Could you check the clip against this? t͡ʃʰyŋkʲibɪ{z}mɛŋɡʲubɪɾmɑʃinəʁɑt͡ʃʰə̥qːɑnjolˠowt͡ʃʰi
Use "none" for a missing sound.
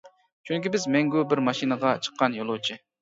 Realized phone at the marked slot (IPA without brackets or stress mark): z